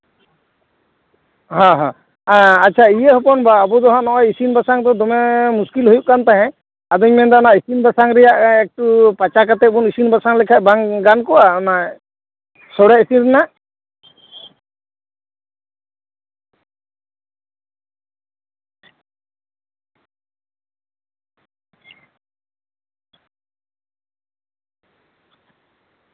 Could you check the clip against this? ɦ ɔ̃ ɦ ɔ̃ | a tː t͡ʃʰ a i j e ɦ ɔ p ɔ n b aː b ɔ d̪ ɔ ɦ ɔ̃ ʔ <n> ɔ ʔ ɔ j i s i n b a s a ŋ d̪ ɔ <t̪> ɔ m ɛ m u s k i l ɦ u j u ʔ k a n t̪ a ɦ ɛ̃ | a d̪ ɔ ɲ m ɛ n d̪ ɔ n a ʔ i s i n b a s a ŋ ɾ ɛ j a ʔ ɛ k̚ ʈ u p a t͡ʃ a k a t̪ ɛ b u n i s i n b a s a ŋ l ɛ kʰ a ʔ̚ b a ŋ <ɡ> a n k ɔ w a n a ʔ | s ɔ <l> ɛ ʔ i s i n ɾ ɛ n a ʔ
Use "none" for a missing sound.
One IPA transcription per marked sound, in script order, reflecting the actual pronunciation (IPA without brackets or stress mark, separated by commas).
n, d̪, ɡ, ɽ